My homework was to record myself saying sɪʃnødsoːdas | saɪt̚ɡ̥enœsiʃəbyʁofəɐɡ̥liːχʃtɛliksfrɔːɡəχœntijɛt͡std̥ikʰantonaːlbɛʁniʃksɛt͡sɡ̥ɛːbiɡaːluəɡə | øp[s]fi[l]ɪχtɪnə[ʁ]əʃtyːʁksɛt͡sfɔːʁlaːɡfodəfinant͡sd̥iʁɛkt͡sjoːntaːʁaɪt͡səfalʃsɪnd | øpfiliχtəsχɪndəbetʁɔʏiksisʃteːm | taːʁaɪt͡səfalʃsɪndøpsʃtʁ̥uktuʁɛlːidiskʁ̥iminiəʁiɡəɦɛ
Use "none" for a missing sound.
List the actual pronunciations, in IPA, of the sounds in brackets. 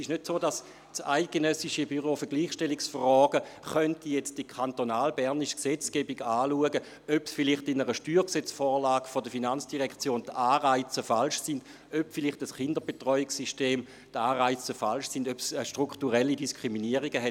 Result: s, l, ʁ

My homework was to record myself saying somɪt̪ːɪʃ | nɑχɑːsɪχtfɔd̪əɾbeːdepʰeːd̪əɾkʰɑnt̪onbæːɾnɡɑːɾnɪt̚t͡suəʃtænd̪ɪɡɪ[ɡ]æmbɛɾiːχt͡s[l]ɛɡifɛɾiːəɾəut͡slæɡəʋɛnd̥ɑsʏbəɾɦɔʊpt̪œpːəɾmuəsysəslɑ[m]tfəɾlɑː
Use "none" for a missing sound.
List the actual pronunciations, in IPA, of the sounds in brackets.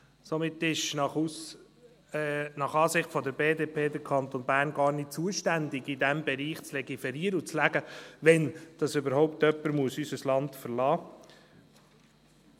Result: d, l, n

